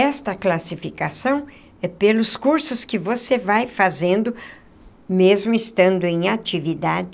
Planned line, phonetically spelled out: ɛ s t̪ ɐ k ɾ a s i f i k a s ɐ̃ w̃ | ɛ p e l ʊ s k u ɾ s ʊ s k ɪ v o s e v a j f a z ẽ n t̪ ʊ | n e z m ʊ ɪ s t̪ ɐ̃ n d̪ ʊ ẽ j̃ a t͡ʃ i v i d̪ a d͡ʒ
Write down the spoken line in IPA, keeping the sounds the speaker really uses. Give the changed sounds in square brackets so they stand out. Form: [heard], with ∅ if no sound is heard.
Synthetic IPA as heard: ɛ s t̪ ɐ k [l] a s i f i k a s ɐ̃ w̃ | ɛ p e l ʊ s k u ɾ s ʊ s k ɪ v o s e v a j f a z ẽ n [d̪] ʊ | [m] e z m ʊ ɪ s t̪ ɐ̃ n d̪ ʊ ẽ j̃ a t͡ʃ i v i d̪ a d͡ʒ